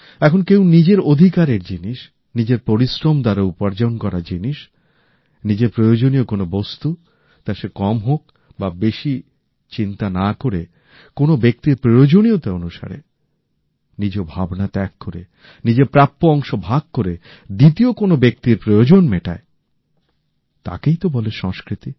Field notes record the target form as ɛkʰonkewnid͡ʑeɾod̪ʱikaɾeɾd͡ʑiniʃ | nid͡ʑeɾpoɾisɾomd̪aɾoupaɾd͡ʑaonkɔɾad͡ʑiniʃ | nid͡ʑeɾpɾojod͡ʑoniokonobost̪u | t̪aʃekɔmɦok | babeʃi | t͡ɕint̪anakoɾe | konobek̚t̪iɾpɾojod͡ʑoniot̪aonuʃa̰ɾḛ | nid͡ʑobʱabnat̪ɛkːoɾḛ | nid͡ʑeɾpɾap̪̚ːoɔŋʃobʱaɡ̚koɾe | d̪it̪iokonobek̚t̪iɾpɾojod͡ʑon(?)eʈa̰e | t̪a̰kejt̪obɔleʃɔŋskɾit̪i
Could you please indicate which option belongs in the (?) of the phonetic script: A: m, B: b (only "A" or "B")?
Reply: A